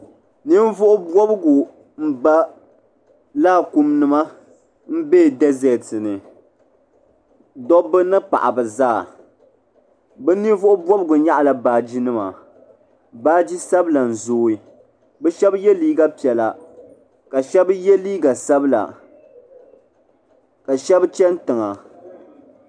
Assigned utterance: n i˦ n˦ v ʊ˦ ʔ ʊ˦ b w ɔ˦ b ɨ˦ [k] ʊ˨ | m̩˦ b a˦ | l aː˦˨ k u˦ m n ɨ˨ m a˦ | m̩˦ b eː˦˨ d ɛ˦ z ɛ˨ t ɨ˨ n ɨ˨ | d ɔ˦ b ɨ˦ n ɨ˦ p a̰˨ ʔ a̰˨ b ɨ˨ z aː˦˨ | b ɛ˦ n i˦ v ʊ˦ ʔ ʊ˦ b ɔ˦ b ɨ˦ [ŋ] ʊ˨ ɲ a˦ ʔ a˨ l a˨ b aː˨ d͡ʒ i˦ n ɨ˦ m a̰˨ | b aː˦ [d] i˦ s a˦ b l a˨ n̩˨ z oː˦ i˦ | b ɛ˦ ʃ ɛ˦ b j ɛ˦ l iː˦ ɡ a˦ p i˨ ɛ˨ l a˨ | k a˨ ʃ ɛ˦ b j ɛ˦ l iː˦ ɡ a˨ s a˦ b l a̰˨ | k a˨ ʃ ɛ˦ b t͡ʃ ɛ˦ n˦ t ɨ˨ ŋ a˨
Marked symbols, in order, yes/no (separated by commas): no, no, no